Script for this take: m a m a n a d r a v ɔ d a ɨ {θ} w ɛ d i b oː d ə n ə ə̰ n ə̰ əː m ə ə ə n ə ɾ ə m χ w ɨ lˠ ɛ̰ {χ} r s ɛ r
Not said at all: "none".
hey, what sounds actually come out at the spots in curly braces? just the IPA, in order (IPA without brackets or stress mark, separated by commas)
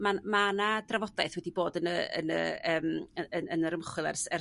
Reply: θ, none